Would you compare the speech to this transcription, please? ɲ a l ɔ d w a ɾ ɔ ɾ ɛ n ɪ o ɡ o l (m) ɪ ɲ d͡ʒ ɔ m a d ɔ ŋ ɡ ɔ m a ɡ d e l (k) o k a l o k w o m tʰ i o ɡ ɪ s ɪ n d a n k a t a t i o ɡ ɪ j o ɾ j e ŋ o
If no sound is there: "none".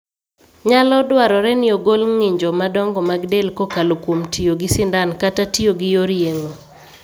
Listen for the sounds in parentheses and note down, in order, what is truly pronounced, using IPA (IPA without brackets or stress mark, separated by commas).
ŋ, k